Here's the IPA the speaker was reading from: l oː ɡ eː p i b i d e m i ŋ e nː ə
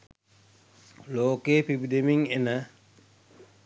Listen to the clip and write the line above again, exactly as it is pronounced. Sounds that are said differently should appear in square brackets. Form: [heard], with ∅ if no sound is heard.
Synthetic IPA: l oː [k] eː p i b i d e m i ŋ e [n] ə